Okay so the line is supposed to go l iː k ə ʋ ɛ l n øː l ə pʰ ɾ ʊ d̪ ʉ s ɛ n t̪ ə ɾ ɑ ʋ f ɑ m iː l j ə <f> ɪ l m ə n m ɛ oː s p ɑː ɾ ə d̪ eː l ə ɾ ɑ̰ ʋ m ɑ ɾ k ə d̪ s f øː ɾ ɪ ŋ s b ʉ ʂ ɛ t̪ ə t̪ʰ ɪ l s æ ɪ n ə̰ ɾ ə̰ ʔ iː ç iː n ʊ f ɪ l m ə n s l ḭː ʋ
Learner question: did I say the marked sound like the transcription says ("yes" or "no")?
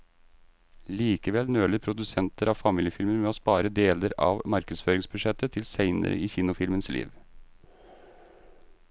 yes